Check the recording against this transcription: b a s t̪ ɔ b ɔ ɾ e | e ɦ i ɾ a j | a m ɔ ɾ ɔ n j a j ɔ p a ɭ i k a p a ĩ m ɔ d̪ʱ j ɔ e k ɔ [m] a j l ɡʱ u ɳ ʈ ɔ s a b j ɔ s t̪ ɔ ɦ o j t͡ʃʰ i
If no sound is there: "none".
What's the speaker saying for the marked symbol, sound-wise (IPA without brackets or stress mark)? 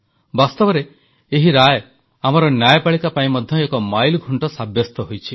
m